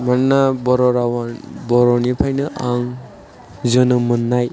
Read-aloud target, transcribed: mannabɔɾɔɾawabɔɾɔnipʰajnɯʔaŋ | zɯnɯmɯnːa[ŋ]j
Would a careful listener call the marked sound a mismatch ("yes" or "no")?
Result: yes